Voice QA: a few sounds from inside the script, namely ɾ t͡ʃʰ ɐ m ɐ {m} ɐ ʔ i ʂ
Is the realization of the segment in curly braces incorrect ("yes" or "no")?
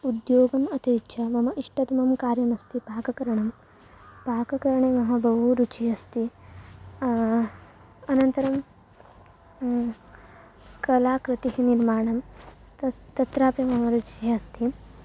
no